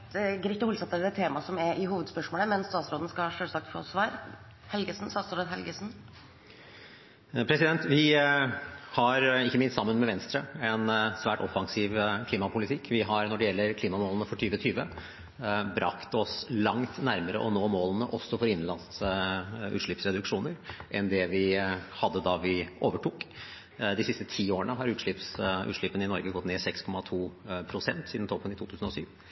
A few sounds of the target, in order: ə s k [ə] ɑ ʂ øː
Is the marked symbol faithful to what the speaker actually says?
no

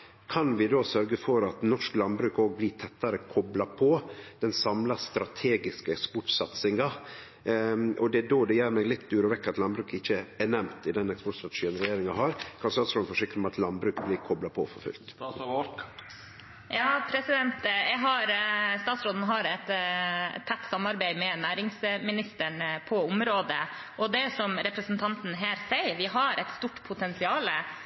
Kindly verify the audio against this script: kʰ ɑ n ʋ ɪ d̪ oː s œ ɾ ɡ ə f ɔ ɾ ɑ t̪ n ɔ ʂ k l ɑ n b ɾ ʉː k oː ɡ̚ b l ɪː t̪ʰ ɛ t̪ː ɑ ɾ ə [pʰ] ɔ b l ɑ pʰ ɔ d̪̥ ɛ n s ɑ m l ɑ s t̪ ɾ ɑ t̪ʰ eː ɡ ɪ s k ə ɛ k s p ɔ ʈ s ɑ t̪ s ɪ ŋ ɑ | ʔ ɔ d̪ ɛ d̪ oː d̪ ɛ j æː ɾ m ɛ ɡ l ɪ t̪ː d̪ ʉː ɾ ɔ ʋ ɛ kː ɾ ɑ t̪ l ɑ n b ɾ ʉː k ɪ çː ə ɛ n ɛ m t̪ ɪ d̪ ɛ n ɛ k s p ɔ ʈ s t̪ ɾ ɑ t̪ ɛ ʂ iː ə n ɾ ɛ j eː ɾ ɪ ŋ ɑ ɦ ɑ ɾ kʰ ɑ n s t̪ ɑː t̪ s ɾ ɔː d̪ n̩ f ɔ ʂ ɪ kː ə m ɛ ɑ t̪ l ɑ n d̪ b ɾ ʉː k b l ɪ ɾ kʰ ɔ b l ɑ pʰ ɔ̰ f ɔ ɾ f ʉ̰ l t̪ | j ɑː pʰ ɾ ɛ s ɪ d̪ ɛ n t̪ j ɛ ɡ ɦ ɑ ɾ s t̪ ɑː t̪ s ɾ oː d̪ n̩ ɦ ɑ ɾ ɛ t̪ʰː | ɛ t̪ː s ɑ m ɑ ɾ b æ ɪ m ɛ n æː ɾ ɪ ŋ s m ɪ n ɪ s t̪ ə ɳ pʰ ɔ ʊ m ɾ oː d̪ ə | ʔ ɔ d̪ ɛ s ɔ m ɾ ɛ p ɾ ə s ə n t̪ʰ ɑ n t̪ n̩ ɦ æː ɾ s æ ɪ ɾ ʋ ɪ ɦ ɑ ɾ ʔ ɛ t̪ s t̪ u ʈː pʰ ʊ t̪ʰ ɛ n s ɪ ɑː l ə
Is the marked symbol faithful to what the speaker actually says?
no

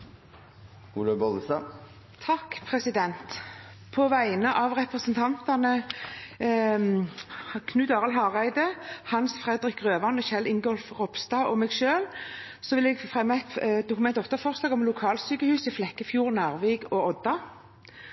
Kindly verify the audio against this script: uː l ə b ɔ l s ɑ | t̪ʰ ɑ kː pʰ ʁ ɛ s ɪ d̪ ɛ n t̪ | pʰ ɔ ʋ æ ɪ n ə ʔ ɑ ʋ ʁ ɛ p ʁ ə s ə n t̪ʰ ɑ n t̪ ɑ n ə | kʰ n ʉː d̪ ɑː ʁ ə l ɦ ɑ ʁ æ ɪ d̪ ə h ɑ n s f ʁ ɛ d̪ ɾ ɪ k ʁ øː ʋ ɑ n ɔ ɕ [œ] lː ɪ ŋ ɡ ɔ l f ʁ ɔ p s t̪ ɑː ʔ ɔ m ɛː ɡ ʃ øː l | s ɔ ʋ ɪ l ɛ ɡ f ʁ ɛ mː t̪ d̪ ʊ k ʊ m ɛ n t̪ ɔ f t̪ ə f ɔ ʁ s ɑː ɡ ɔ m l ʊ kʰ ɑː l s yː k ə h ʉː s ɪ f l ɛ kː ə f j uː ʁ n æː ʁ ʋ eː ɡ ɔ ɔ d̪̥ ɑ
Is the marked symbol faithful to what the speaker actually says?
no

